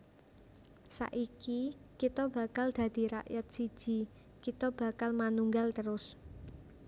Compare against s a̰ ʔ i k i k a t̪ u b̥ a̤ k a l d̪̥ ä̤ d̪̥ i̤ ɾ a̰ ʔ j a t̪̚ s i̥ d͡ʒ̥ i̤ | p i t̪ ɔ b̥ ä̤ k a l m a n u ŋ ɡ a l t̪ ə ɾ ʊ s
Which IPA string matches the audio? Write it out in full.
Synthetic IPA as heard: s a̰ ʔ i k i k i t̪ ɔ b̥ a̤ k a l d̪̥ ä̤ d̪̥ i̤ ɾ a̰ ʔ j a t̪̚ s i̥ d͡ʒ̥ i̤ | k i t̪ ɔ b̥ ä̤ k a l m a n u ŋ ɡ a l t̪ ə ɾ ʊ s